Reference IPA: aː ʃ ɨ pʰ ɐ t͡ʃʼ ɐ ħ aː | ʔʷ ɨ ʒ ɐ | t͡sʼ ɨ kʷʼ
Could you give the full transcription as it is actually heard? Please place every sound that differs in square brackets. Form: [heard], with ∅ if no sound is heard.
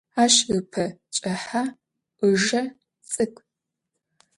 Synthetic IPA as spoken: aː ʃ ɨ pʰ ɐ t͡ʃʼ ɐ ħ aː | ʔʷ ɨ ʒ ɐ | t͡sʼ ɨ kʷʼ